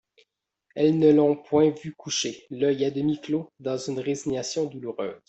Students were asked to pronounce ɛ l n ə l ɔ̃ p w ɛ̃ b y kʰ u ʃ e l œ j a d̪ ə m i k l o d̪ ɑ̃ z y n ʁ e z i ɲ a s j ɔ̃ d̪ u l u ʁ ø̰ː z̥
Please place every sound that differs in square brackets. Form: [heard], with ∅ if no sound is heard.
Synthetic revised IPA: ɛ l n ə l ɔ̃ p w ɛ̃ [v] y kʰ u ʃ e l œ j a d̪ ə m i k l o d̪ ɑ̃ z y n ʁ e z i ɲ a s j ɔ̃ d̪ u l u ʁ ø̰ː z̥